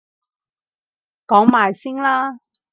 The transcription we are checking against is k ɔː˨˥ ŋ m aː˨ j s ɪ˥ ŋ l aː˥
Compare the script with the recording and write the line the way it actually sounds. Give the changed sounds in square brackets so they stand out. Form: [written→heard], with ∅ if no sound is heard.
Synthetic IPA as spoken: k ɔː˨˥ ŋ m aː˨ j s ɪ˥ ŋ l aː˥